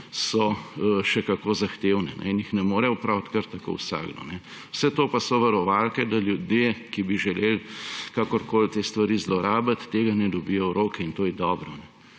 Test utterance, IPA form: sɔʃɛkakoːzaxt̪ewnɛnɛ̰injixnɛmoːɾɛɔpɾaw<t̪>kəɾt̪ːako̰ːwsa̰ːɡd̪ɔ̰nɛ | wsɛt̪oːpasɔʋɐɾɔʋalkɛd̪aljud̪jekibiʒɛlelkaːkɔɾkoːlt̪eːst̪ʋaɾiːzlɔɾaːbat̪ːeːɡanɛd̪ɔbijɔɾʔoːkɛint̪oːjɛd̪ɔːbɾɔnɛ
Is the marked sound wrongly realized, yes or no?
no